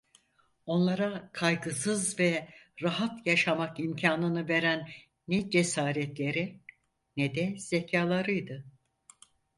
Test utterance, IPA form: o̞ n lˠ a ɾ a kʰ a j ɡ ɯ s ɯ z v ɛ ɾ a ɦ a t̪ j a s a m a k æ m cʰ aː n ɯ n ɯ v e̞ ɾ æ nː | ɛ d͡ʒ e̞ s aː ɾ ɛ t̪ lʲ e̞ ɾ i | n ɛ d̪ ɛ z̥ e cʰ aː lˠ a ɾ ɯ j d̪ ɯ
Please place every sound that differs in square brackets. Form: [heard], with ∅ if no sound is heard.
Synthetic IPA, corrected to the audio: o̞ n lˠ a ɾ a kʰ a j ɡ ɯ s ɯ z v ɛ ɾ a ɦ a t̪ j a [ʃ] a m a k [i] m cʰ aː n ɯ n ɯ v e̞ ɾ æ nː | ɛ d͡ʒ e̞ s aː ɾ ɛ t̪ lʲ e̞ ɾ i | n ɛ d̪ ɛ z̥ e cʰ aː lˠ a ɾ ɯ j d̪ ɯ